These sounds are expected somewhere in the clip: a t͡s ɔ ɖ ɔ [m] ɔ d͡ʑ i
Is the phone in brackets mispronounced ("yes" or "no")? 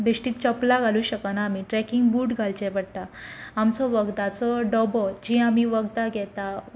yes